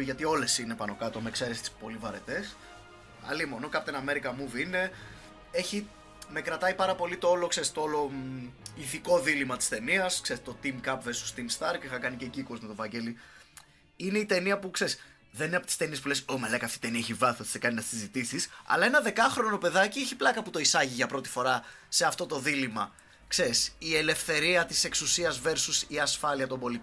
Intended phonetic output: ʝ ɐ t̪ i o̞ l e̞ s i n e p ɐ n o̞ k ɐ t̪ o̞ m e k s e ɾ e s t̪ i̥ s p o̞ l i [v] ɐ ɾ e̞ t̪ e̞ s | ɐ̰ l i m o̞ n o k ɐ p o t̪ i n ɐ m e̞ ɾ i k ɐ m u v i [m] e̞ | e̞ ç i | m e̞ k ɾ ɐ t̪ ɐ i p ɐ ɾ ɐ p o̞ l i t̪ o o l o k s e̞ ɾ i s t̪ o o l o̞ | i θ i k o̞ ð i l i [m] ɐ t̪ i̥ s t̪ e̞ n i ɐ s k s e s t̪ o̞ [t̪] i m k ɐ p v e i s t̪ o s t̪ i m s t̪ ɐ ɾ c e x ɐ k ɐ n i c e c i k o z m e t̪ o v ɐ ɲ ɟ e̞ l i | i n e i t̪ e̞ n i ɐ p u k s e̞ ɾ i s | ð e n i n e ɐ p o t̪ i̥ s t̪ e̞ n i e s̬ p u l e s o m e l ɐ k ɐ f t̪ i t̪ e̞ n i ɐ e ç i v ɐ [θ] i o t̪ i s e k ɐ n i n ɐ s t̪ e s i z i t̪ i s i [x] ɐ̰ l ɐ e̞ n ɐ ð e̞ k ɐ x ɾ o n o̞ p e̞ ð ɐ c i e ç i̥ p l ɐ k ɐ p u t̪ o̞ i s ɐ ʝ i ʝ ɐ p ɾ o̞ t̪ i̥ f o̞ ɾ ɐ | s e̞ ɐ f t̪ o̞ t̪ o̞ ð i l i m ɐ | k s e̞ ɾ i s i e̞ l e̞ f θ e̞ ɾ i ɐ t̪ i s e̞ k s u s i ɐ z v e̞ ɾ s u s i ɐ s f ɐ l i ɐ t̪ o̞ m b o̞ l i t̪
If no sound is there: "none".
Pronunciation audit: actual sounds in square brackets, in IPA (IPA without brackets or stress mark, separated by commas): v, n, m, t̪, θ, s